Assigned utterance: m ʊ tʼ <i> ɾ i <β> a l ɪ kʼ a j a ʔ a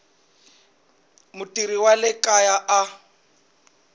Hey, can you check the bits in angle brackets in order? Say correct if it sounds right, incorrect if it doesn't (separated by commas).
correct, incorrect